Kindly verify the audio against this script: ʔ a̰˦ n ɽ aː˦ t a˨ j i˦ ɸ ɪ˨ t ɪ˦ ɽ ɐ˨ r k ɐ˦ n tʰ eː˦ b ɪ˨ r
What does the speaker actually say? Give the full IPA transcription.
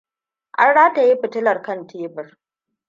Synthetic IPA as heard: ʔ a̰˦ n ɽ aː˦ t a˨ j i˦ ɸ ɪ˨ t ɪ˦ l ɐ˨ r k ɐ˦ n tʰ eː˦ b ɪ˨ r